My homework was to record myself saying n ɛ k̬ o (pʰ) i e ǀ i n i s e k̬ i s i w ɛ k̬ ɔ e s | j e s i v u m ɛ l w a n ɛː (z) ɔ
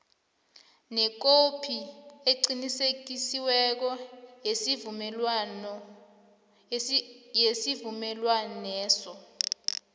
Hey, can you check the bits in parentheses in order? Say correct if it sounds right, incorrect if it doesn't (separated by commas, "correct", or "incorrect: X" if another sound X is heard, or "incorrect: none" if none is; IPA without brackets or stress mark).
correct, incorrect: s